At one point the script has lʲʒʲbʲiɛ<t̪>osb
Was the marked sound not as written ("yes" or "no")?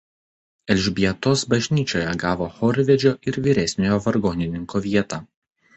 no